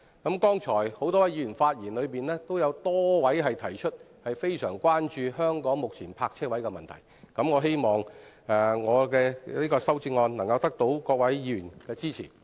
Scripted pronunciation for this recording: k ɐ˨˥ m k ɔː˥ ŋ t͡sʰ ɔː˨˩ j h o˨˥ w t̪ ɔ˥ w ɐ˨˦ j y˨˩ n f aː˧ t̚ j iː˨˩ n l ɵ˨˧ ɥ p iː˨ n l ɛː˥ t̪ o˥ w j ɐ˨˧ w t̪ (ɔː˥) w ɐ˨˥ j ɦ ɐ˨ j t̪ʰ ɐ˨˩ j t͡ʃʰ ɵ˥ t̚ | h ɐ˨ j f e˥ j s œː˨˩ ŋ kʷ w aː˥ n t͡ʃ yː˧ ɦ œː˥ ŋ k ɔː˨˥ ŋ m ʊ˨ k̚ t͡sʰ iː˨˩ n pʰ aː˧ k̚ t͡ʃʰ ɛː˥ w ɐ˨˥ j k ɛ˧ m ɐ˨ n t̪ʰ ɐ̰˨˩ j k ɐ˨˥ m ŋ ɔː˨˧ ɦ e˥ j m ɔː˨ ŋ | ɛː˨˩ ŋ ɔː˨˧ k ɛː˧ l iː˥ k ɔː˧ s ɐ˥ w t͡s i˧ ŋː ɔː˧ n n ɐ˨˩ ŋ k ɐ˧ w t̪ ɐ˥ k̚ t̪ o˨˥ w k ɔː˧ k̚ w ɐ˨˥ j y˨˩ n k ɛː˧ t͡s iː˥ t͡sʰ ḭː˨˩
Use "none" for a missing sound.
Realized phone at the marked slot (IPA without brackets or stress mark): ɔː˥